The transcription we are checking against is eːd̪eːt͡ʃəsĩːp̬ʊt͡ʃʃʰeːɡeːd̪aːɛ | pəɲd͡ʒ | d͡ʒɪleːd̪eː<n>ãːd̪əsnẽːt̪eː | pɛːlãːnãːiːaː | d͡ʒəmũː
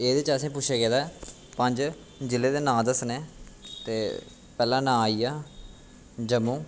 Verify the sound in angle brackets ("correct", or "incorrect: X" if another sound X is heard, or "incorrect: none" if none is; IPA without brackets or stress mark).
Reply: correct